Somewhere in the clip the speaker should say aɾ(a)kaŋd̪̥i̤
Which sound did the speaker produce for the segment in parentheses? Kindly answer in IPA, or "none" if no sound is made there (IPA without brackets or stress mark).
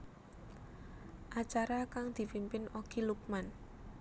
a